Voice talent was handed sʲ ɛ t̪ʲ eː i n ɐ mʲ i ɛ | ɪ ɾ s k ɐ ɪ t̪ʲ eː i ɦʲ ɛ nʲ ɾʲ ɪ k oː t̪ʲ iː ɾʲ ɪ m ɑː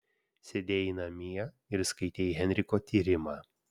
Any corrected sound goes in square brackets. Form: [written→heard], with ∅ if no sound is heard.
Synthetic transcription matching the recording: sʲ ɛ [t̪ʲ→d̪ʲ] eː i n ɐ mʲ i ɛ | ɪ ɾ s k ɐ ɪ t̪ʲ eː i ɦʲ ɛ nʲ ɾʲ ɪ k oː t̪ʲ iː ɾʲ ɪ m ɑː